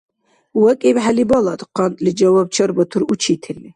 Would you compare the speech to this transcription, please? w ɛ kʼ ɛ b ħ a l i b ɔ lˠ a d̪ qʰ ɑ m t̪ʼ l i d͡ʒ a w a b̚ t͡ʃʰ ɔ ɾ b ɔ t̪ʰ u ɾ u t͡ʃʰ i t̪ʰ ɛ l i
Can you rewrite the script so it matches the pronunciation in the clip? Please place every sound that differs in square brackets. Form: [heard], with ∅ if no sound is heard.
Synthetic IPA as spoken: w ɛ kʼ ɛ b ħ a l i b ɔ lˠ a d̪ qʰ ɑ [n] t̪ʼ l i d͡ʒ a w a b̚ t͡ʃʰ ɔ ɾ b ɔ t̪ʰ u ɾ u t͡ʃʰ i t̪ʰ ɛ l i